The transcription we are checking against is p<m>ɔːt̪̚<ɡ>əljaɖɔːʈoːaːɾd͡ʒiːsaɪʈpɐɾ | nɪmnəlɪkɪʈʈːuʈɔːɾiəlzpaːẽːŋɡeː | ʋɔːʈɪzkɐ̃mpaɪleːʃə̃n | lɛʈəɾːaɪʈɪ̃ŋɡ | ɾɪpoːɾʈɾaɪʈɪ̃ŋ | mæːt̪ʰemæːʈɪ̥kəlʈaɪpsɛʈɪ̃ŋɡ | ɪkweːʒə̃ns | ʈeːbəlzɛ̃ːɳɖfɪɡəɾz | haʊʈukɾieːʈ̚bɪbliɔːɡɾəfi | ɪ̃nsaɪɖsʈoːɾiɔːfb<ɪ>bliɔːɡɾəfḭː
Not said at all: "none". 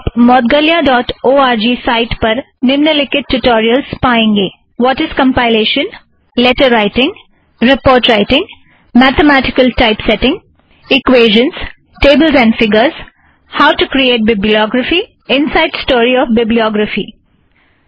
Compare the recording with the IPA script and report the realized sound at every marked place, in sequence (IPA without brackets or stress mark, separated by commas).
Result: m, ɡ, ɪ